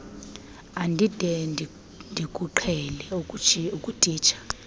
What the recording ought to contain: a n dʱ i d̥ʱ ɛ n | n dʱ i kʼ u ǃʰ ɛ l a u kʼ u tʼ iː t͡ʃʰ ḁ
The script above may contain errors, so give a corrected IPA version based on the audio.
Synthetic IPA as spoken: a n dʱ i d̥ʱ ɛ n | n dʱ i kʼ u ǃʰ ɛ l ɛ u kʼ u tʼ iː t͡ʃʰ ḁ